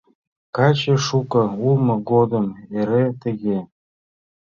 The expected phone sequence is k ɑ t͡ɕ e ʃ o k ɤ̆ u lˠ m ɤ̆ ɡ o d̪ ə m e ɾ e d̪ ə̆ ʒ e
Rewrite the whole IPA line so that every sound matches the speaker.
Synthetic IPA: k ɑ t͡ɕ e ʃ u k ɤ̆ u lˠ m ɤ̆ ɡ o d̪ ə m e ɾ e t̪ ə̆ ɣ e